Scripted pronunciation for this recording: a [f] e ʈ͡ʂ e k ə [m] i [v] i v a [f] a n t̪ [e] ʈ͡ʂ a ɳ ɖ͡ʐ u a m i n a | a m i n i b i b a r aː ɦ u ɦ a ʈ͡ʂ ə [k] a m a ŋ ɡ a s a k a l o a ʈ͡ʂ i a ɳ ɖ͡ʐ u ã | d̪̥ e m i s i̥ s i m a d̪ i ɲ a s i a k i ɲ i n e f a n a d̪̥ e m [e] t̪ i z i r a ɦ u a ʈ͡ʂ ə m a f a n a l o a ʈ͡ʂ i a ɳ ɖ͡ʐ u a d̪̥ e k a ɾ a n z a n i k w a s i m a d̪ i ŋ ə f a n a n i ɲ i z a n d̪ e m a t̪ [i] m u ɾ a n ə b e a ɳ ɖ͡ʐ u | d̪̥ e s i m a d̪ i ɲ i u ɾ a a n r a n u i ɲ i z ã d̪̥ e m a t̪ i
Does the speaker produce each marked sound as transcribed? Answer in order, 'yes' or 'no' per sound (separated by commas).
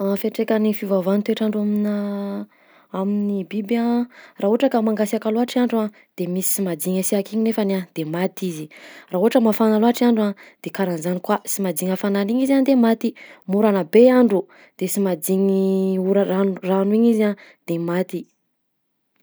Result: yes, no, no, no, yes, yes, no, yes